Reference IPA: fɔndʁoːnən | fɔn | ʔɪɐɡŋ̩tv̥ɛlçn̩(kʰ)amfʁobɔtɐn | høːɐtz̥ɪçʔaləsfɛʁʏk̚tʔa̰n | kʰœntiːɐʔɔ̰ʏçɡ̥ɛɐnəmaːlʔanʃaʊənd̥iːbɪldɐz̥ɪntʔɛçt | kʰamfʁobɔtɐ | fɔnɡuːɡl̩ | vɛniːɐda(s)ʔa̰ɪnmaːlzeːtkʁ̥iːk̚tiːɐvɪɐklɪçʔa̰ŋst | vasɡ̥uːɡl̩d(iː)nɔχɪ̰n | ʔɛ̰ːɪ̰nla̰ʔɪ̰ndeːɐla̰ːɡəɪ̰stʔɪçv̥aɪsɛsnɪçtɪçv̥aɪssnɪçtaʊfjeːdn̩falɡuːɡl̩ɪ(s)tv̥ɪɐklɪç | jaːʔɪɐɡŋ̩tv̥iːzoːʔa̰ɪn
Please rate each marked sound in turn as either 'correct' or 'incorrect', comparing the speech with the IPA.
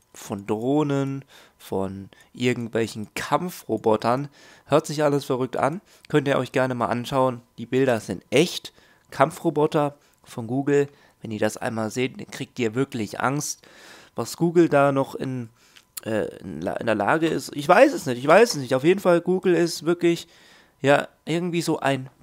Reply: correct, correct, incorrect: aː, correct

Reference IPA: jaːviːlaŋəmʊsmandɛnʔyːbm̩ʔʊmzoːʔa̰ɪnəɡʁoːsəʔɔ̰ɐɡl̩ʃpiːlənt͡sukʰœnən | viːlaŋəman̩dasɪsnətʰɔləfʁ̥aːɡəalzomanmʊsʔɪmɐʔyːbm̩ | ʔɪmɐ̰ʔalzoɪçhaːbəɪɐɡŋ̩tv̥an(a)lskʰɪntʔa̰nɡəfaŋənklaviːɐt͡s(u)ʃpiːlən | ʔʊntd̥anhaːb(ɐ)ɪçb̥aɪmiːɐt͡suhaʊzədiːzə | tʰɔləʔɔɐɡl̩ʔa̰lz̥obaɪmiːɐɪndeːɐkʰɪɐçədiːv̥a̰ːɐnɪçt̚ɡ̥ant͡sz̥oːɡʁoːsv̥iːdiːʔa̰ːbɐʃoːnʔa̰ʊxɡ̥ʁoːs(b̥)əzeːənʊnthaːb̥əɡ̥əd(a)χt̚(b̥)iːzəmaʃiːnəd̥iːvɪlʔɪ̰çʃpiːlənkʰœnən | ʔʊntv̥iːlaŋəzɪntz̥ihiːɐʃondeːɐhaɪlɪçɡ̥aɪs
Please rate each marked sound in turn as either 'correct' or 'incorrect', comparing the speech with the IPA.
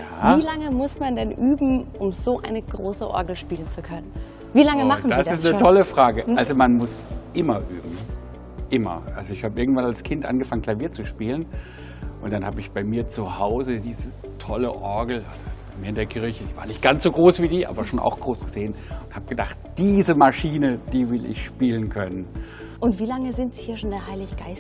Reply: correct, correct, incorrect: ə, incorrect: ɡ̥, correct, incorrect: d̥

